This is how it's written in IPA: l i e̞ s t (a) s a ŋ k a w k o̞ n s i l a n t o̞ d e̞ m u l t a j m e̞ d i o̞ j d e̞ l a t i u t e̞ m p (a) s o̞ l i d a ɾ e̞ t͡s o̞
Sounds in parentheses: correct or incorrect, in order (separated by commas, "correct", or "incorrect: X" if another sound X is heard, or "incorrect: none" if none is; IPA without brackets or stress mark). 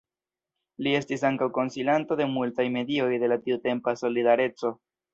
incorrect: i, correct